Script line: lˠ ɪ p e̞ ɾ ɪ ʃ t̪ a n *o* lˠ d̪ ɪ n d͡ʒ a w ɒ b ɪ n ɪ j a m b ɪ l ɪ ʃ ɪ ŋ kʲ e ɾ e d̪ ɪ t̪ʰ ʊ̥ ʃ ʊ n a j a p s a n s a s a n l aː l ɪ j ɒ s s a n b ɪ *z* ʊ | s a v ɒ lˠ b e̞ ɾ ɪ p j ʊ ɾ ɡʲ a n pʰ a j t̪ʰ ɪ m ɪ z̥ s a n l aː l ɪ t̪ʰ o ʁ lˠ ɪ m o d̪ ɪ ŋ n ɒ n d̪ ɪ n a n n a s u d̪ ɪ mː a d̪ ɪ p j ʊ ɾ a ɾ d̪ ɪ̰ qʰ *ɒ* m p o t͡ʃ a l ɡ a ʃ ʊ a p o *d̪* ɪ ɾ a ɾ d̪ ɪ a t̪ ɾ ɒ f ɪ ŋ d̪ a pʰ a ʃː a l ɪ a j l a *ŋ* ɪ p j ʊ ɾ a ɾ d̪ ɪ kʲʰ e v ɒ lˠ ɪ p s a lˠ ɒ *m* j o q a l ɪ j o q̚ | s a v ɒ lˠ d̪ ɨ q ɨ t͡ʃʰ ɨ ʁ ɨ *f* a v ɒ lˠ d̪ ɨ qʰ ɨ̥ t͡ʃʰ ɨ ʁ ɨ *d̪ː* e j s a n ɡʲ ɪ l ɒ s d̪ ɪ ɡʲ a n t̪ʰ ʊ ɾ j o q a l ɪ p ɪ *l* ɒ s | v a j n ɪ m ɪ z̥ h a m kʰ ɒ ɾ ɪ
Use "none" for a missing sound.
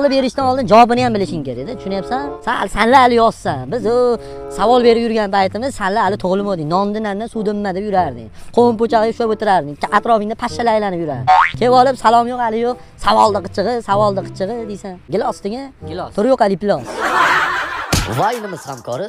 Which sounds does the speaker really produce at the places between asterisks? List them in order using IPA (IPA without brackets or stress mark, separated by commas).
ɒ, z, o, t̪, n, m, s, d̪, l